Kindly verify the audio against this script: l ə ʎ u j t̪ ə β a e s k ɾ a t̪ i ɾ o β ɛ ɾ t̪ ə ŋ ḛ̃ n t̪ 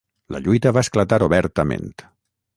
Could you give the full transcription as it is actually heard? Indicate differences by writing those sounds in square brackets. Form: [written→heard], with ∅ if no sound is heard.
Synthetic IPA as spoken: l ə ʎ u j t̪ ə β a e s k [ɾ→l] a t̪ [i→a] ɾ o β ɛ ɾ t̪ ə [ŋ→m] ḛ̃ n t̪

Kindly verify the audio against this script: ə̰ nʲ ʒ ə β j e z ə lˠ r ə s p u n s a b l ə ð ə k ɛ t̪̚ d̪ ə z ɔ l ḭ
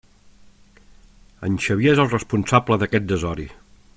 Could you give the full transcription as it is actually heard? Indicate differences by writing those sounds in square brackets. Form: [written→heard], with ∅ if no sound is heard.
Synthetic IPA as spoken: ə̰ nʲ [ʒ→ʃ] ə β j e z ə lˠ r ə s p u n s a b l ə ð ə k ɛ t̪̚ d̪ ə z ɔ [l→ɾ] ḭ

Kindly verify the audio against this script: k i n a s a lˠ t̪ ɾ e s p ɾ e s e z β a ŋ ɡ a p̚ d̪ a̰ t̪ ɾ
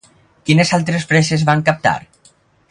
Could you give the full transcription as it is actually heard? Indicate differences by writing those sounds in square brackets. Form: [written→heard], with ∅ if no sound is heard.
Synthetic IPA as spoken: k i n [a→e] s a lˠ t̪ ɾ e s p ɾ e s e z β a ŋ [ɡ→k] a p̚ [d̪→t̪] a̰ [t̪→∅] ɾ

